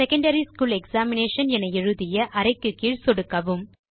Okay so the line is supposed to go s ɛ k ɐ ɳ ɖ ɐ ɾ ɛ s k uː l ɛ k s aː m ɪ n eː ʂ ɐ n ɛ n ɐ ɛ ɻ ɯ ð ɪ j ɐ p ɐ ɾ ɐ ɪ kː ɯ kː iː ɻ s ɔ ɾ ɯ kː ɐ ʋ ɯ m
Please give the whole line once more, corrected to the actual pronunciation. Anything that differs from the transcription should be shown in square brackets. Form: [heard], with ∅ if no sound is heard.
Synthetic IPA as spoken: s ɛ k ɐ ɳ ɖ ɐ ɾ [i] s k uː l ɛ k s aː m ɪ n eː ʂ ɐ n ɛ n ɐ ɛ ɻ ɯ ð ɪ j ɐ [ʔ] ɐ ɾ ɐ ɪ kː ɯ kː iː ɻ s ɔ [ɽ] ɯ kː ɐ ʋ ɯ m